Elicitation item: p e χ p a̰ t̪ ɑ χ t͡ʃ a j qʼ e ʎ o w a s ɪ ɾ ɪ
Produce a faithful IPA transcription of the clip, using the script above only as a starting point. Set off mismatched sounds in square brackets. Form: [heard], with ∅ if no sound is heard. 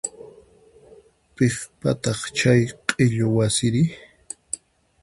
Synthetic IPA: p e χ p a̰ t̪ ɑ χ t͡ʃ a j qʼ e ʎ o w a s ɪ ɾ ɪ